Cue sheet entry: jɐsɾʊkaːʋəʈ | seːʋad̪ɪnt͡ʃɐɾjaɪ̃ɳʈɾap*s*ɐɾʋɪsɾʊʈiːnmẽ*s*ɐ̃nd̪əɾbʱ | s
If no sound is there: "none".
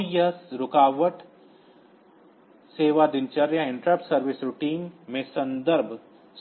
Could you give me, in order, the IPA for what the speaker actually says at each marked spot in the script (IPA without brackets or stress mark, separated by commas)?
s, s